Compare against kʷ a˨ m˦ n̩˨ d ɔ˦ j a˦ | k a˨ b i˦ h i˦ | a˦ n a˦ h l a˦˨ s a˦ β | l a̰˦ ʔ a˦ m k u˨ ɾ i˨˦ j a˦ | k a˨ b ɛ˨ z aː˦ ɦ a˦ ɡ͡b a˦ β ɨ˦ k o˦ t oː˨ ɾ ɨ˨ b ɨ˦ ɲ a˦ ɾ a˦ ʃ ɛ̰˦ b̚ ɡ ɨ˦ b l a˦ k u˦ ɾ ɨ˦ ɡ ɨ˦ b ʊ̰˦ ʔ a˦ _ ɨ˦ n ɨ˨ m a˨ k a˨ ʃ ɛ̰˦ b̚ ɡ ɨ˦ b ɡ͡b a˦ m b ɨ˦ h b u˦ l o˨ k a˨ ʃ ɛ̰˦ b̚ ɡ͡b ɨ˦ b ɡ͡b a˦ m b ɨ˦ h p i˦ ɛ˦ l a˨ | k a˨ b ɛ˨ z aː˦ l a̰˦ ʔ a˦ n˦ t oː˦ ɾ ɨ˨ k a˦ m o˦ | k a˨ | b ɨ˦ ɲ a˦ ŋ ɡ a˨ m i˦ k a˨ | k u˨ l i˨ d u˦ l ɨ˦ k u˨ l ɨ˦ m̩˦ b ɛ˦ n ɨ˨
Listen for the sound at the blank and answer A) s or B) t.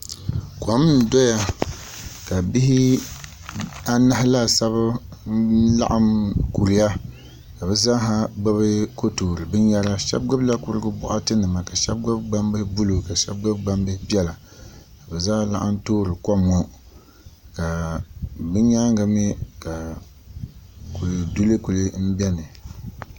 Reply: B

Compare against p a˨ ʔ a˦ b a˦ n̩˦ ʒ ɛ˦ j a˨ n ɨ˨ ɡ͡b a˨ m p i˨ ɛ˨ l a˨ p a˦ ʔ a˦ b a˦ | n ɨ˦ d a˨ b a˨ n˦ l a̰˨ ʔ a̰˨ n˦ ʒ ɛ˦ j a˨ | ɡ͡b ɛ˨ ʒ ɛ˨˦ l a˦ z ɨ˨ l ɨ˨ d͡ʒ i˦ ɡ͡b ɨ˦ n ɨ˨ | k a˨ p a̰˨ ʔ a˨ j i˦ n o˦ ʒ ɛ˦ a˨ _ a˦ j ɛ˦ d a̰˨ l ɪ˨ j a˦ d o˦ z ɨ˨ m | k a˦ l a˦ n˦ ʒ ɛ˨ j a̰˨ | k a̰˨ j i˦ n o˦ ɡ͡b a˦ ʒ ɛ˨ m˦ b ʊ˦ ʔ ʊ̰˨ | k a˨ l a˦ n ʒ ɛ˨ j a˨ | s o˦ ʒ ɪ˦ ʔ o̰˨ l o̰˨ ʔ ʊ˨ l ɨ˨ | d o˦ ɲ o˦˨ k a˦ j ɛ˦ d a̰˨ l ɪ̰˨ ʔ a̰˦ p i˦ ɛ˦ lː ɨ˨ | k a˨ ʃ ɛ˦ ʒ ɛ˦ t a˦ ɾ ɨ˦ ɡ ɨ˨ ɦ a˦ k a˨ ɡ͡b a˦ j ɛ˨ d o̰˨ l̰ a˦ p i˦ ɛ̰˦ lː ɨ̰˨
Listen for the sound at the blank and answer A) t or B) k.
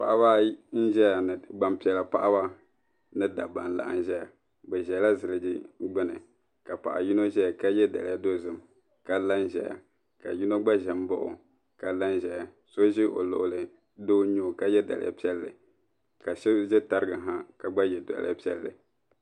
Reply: B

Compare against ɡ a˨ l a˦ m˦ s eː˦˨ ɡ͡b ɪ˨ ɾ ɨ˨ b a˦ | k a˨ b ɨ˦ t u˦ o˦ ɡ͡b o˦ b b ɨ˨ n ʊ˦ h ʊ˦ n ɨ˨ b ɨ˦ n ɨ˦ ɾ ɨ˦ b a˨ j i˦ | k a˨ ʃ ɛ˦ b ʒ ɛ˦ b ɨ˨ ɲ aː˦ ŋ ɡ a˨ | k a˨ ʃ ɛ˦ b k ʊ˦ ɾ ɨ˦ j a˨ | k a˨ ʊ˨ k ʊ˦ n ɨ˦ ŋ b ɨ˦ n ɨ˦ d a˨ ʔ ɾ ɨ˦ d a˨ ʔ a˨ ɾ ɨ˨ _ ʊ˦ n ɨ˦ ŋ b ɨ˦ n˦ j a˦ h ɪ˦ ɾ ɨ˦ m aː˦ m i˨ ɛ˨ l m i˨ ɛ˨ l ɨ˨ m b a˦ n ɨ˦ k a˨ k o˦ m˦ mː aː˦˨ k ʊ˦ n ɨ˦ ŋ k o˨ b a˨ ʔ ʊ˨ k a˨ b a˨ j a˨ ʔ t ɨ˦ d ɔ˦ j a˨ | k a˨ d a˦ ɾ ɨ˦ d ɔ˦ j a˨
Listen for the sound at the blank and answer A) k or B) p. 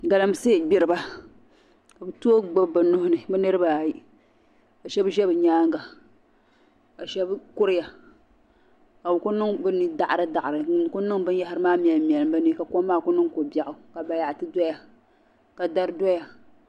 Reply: A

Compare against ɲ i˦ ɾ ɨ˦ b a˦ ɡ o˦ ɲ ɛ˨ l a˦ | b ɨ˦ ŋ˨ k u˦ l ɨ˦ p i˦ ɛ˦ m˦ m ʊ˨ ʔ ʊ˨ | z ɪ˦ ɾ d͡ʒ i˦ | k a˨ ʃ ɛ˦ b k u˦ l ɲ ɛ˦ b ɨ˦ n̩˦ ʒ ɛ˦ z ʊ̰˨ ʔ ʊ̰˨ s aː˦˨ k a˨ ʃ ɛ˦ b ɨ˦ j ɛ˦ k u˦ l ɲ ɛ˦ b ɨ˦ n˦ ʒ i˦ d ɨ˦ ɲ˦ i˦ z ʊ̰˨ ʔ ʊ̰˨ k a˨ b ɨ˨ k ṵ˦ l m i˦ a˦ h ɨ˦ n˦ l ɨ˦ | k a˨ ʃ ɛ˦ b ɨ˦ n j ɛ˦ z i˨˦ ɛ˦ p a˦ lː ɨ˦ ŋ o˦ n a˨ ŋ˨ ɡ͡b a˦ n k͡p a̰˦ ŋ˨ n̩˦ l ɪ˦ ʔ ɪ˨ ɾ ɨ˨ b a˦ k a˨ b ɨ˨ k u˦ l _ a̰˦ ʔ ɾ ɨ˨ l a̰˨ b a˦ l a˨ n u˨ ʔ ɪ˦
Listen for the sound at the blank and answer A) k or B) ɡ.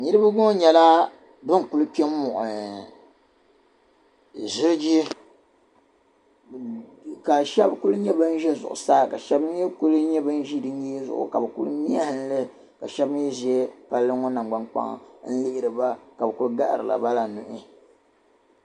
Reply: B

